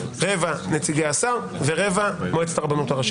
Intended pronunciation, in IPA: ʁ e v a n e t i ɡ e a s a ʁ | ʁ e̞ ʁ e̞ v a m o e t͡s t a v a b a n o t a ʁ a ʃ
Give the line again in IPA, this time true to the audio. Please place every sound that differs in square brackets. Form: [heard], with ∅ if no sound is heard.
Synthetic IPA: ʁ e v a n e [t͡s] i ɡ e a s a ʁ | [v] e̞ ʁ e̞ v a m o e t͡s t a [ʁ] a b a n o t a ʁ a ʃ